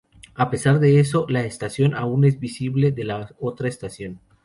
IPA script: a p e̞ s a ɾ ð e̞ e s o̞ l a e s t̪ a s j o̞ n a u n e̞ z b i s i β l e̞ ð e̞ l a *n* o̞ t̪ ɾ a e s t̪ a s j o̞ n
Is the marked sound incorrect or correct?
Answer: incorrect: none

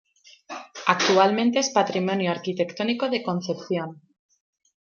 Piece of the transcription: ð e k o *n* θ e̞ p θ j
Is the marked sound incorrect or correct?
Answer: correct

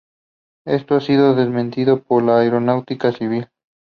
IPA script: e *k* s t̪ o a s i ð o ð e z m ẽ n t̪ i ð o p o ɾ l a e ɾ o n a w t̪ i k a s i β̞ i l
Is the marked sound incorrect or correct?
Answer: incorrect: none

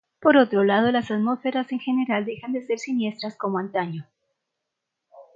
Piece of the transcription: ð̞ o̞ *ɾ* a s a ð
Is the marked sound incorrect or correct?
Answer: incorrect: l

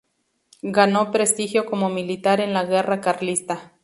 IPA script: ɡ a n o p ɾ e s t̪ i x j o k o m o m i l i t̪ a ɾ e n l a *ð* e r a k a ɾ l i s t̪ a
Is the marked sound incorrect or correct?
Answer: incorrect: ɣ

